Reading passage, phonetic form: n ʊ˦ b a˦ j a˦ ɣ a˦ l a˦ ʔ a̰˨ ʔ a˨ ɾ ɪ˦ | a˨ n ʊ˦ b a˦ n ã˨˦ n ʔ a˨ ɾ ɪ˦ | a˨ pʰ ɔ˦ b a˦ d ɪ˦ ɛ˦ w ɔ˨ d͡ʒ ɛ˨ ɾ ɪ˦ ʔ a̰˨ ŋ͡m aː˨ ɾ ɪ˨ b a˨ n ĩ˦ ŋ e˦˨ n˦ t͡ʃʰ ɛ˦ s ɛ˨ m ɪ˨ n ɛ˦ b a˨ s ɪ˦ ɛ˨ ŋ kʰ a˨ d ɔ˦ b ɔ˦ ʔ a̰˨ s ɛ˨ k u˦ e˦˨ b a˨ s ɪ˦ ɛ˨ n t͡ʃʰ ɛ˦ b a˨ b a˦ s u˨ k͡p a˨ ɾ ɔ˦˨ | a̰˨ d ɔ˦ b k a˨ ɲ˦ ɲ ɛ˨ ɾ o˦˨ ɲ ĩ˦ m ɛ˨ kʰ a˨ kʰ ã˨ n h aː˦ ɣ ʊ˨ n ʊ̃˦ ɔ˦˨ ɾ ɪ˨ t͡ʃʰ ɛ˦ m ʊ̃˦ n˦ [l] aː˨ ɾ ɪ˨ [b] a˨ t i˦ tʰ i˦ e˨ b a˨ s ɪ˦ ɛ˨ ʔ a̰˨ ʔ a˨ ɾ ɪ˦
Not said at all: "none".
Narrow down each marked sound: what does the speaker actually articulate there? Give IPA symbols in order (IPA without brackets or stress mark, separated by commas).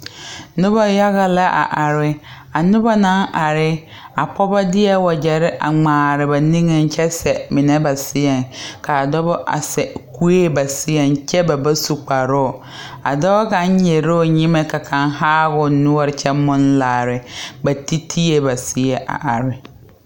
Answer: l, b